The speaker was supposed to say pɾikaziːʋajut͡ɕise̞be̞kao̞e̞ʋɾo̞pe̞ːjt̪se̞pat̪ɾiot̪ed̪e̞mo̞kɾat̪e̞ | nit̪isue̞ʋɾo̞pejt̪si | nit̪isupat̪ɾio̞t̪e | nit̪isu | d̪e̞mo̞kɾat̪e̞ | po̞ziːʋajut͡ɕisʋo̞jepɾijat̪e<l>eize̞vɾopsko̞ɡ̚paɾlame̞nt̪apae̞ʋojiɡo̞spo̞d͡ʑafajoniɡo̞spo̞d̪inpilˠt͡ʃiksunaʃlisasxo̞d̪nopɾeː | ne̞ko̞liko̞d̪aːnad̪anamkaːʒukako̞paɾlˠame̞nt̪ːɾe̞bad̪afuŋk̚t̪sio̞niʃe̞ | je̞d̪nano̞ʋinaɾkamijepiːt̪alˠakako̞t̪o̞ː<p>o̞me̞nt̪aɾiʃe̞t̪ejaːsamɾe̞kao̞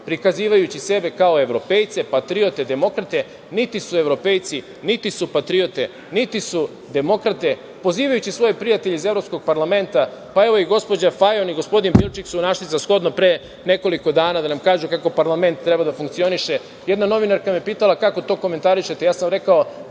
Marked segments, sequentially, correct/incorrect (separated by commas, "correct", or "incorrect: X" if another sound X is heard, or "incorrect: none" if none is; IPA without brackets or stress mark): incorrect: ʎ, incorrect: k